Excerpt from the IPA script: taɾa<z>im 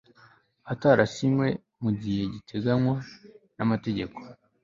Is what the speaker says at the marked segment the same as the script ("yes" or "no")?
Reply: no